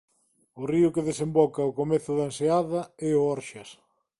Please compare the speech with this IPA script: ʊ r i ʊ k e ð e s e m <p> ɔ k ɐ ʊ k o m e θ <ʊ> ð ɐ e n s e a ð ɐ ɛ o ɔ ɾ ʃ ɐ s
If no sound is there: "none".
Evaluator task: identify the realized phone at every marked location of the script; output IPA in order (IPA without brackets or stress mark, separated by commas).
b, ʊ